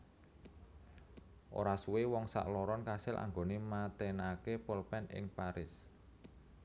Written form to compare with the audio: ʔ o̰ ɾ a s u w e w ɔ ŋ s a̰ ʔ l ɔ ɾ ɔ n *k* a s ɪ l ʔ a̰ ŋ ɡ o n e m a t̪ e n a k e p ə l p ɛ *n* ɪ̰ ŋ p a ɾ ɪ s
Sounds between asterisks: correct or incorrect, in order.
correct, correct

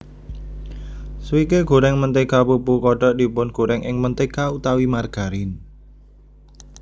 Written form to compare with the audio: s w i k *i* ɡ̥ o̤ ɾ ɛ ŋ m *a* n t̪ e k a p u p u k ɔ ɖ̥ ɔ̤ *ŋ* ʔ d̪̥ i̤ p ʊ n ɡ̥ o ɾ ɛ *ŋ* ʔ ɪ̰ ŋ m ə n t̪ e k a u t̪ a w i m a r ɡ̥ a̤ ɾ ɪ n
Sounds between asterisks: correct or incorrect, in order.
incorrect, incorrect, incorrect, correct

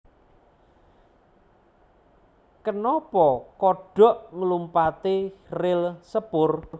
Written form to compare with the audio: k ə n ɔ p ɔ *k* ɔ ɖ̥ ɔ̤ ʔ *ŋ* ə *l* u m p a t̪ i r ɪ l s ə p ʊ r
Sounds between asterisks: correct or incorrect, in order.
correct, correct, correct

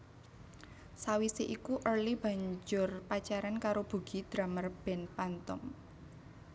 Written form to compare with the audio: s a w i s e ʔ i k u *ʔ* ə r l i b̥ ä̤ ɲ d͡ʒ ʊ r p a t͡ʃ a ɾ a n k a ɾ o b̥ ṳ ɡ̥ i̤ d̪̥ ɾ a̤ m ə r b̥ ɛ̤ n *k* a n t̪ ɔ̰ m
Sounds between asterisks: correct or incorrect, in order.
correct, incorrect

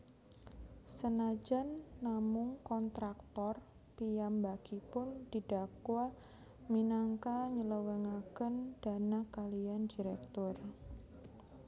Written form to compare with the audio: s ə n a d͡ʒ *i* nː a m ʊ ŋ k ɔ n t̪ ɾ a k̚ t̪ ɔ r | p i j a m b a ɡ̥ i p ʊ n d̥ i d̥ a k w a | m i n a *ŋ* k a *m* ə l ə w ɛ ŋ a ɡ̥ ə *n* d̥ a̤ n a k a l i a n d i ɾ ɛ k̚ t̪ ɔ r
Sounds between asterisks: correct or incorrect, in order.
incorrect, correct, incorrect, correct

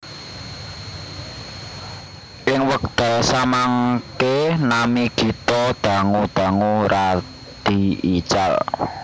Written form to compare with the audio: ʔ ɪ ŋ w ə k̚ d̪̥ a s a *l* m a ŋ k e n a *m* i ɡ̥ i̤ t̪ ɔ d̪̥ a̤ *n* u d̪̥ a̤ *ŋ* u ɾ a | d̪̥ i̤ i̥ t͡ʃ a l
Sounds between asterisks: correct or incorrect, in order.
incorrect, correct, incorrect, correct

